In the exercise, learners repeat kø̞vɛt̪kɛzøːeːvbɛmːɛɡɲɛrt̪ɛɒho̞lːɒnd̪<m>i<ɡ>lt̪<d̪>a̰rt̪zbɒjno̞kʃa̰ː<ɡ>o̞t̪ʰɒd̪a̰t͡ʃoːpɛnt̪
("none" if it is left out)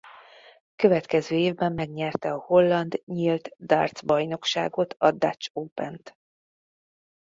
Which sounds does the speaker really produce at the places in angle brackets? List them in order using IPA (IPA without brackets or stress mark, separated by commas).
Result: ɲ, none, d̪, ɡ